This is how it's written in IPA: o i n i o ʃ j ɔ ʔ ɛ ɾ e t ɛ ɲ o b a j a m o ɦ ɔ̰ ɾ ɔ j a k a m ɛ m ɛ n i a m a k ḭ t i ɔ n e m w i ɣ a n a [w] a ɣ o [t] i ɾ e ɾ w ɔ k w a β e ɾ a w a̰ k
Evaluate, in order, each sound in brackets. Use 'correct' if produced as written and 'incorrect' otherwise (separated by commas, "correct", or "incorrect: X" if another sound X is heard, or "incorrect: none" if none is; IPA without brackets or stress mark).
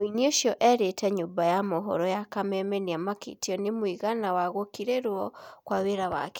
correct, incorrect: k